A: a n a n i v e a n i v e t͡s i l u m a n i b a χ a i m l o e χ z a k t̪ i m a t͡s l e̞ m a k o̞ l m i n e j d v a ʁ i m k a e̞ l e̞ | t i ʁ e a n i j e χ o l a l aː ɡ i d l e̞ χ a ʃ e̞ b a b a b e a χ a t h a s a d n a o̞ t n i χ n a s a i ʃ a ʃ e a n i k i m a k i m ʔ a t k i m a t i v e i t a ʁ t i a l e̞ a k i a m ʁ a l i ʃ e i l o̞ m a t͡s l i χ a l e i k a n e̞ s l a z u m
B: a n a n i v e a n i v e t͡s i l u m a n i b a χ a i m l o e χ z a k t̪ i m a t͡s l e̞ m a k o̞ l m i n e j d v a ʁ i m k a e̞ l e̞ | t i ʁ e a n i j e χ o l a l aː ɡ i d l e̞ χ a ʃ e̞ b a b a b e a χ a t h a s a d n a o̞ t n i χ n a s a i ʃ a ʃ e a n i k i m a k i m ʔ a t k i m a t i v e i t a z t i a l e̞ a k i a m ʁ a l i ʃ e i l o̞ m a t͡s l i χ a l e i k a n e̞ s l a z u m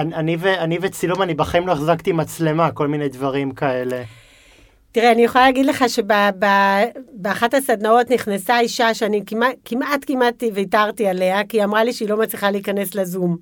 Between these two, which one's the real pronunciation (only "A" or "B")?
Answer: A